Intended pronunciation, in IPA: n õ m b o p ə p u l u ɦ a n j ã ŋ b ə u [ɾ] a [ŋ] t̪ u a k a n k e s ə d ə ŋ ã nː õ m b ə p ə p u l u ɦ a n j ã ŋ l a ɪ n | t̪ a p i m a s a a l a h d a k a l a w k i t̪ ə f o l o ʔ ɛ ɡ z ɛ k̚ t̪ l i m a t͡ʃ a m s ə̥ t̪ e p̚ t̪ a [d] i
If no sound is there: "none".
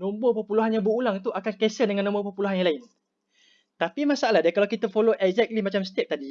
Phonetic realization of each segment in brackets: l, ŋ, d

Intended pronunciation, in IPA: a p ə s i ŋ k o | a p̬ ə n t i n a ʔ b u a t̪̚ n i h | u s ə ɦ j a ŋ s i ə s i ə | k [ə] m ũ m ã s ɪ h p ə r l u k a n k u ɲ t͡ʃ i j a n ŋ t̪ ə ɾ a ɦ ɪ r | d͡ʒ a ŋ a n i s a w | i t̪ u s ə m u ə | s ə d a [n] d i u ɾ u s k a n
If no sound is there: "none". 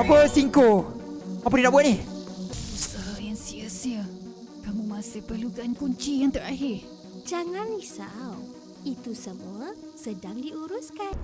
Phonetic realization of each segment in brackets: a, ŋ

